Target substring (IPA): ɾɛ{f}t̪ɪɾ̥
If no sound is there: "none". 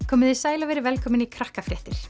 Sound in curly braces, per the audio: h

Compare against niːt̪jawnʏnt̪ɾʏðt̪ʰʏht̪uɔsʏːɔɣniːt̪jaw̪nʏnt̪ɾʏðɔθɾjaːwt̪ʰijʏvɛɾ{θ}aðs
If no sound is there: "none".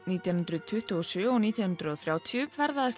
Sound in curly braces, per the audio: ð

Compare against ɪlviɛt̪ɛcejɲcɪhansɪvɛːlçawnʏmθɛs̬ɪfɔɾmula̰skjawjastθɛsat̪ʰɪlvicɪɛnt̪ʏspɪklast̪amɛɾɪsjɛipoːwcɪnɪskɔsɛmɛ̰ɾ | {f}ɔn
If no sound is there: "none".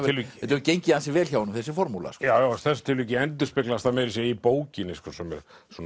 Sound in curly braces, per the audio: s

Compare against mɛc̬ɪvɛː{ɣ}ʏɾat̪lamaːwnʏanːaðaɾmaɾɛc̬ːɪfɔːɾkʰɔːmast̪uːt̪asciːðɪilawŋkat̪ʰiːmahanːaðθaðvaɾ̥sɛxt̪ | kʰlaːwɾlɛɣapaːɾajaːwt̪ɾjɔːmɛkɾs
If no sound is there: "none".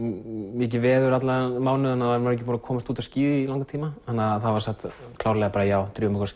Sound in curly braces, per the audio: ð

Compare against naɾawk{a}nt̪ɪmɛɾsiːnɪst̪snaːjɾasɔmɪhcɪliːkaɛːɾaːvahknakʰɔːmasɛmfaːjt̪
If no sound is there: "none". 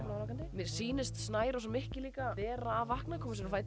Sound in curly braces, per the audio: a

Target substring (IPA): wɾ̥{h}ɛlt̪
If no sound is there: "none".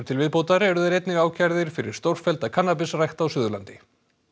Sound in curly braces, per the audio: f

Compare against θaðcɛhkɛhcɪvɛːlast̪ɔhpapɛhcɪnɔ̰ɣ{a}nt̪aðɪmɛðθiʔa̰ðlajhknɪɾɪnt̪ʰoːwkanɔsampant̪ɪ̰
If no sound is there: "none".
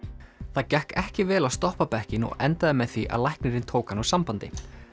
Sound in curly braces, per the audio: ɛ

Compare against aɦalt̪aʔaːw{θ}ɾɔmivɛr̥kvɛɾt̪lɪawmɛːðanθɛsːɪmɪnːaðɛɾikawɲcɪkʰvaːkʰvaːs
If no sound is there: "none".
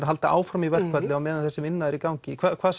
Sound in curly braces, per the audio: f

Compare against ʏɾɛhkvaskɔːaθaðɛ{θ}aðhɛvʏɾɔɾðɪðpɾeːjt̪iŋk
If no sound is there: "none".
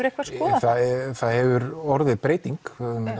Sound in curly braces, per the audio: θ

